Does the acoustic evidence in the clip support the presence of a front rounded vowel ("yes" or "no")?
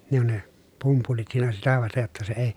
no